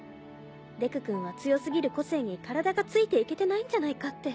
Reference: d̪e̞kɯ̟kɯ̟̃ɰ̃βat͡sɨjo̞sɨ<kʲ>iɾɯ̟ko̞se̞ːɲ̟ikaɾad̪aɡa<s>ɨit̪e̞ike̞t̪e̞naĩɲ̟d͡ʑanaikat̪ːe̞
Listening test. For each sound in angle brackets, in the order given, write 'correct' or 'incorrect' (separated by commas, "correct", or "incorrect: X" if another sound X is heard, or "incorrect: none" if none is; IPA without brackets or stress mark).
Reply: incorrect: ɡʲ, incorrect: t͡s